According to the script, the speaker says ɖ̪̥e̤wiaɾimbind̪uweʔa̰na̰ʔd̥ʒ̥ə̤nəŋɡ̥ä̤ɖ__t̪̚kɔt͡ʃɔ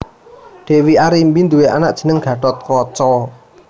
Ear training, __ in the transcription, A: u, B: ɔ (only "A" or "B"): B